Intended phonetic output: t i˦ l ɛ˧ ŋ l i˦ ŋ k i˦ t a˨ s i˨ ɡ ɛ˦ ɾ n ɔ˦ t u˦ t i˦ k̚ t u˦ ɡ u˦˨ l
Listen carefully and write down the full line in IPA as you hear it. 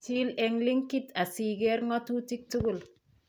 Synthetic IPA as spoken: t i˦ l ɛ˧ ŋ l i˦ ŋ k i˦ t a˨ s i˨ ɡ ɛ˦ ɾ ŋ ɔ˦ t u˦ t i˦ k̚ t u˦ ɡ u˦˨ l